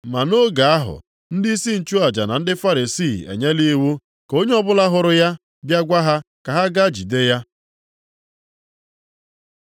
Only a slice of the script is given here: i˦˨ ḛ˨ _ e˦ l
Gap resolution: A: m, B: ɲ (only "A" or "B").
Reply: B